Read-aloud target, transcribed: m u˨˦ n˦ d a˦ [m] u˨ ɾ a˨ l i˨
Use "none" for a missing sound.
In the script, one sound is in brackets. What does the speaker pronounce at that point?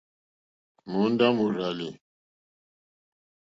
m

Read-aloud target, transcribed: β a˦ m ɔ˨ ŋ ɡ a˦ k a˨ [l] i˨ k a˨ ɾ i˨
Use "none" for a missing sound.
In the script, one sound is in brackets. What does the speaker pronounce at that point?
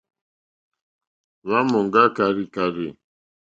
ɾ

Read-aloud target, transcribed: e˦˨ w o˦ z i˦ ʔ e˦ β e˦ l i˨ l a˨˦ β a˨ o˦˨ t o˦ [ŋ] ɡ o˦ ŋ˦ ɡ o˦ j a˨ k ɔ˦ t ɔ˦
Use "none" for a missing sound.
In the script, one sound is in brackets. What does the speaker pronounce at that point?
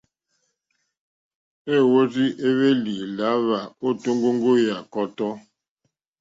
ŋ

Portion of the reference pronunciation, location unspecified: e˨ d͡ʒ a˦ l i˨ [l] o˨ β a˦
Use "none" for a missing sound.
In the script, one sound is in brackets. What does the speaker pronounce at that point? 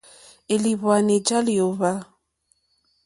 none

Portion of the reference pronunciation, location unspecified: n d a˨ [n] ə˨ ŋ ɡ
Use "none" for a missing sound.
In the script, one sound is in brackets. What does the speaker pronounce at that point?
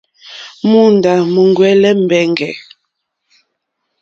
m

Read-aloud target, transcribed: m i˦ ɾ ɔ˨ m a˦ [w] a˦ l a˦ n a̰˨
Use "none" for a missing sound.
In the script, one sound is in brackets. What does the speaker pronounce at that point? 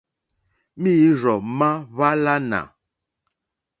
β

